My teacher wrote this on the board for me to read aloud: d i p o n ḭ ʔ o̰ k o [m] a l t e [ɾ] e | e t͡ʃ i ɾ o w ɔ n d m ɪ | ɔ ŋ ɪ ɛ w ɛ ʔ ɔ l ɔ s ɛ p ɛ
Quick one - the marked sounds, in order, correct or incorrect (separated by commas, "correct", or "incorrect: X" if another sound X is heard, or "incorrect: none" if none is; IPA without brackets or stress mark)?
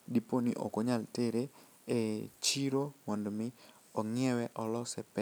incorrect: ɲ, correct